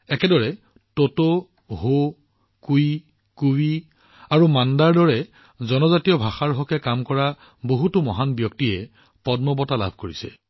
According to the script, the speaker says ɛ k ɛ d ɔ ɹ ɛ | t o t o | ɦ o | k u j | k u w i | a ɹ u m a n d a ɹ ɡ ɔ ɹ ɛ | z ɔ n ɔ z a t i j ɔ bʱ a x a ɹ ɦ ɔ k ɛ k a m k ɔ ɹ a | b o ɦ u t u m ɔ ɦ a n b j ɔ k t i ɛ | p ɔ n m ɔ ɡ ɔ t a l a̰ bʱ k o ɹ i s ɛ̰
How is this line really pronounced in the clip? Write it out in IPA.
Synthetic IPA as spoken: ɛ k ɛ d ɔ ɹ ɛ | t o t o | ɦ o | k u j | k u w i | a ɹ u m a n d a ɹ d ɔ ɹ ɛ | z ɔ n ɔ z a t i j ɔ bʱ a x a ɹ ɦ ɔ k ɛ k a m k ɔ ɹ a | b o ɦ u t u m ɔ ɦ a n b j ɔ k t i ɛ | p ɔ d m ɔ b ɔ t a l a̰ bʱ k o ɹ i s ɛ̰